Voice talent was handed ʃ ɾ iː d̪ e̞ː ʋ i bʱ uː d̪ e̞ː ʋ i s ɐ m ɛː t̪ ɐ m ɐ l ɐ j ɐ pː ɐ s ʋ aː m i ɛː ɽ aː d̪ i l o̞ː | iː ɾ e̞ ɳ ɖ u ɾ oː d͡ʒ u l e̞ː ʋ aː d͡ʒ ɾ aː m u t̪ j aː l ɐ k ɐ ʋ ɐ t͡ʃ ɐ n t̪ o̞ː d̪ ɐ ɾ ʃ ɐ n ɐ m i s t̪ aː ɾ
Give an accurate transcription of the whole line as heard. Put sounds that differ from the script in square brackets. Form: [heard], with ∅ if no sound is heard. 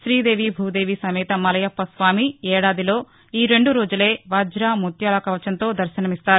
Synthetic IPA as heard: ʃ ɾ iː d̪ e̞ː ʋ i bʱ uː d̪ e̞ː ʋ i s ɐ m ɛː t̪ ɐ m ɐ l ɐ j ɐ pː ɐ s ʋ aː m i ɛː ɽ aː d̪ i l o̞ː | iː ɾ e̞ ɳ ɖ u ɾ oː d͡ʒ u l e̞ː ʋ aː d͡ʒ ɾ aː m u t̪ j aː l ɐ k ɐ ʋ ɐ t͡ʃ ɐ n t̪ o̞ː d̪ ɐ ɾ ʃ ɐ n ɐ m i s t̪ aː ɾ